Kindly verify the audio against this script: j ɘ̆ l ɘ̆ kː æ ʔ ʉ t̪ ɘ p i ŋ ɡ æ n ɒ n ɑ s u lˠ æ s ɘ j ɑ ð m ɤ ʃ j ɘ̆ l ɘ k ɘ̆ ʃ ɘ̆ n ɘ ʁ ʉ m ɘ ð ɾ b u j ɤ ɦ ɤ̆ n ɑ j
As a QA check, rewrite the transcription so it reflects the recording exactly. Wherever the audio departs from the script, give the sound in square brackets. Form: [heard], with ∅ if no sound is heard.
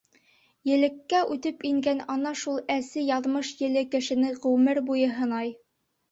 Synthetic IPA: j ɘ̆ l ɘ̆ kː æ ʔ ʉ t̪ ɘ p i ŋ ɡ æ n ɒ n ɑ [ʃ] u lˠ æ s ɘ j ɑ ð m ɤ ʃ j ɘ̆ l ɘ k ɘ̆ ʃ ɘ̆ n ɘ ʁ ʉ m ɘ [∅] ɾ b u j ɤ ɦ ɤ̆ n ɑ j